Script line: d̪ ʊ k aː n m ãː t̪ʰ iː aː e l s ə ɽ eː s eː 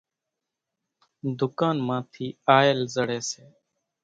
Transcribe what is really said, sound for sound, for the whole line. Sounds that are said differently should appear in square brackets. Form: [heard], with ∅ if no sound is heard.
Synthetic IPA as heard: d̪ ʊ k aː n m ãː t̪ʰ iː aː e l [z] ə ɽ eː s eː